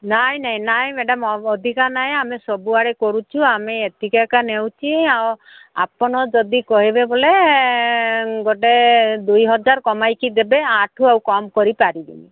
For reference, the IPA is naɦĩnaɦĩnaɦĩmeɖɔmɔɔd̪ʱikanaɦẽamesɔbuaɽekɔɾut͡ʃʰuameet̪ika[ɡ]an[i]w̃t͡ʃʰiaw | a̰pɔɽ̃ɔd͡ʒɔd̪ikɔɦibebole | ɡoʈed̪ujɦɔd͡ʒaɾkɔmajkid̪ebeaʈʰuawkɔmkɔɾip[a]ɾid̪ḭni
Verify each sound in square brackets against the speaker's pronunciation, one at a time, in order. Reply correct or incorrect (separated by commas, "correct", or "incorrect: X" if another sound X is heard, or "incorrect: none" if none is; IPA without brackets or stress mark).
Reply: incorrect: k, incorrect: e, correct